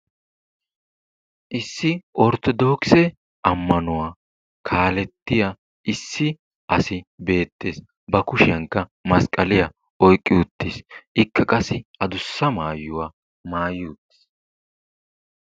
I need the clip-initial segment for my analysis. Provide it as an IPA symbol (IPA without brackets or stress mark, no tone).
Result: ʔ